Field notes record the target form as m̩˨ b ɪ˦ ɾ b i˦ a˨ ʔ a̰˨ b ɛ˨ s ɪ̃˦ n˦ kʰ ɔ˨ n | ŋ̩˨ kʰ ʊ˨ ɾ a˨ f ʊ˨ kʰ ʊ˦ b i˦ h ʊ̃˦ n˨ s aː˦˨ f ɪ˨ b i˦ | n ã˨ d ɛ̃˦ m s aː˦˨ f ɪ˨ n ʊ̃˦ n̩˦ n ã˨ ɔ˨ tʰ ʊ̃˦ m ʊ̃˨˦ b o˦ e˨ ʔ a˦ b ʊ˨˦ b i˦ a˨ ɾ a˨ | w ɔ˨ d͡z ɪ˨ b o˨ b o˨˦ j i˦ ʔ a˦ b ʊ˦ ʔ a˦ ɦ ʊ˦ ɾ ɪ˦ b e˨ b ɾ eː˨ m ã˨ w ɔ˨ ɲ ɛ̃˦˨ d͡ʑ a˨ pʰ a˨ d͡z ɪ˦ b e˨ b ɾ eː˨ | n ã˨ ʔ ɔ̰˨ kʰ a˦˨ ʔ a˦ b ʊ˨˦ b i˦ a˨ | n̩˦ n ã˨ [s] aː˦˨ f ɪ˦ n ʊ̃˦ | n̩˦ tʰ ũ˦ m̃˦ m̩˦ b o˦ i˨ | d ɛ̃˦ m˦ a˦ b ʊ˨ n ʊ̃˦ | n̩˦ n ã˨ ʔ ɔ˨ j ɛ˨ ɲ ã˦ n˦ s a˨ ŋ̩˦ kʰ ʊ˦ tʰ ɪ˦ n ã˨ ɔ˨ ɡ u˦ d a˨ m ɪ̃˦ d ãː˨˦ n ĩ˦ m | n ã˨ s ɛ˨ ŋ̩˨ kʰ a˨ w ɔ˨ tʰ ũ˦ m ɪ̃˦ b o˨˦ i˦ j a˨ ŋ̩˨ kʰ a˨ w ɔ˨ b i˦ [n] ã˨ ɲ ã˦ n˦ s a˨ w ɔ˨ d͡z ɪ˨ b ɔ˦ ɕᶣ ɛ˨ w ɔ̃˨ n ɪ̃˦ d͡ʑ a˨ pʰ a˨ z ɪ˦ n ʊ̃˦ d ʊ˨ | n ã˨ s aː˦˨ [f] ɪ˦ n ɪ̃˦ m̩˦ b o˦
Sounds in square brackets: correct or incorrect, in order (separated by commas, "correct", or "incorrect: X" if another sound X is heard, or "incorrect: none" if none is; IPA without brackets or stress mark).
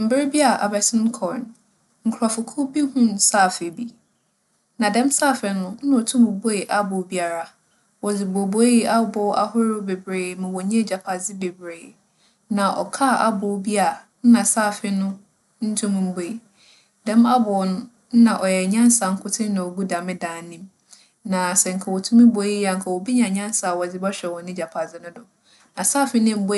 correct, incorrect: ɲ, correct